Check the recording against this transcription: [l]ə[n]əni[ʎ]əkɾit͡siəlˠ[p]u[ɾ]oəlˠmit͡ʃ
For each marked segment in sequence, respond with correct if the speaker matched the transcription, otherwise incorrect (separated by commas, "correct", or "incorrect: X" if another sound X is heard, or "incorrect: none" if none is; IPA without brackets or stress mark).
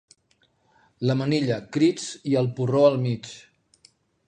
correct, incorrect: m, correct, correct, incorrect: r